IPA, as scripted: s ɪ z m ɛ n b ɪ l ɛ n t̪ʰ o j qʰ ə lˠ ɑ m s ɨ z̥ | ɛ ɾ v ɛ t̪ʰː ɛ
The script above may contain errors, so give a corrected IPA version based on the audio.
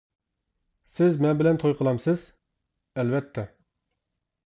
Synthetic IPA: s ɪ z m ɛ n b ɪ l ɛ n t̪ʰ o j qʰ ə lˠ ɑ m s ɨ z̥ | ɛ l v ɛ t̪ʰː ɛ